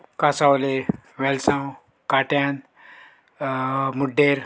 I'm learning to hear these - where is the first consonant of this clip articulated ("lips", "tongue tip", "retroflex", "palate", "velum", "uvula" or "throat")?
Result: velum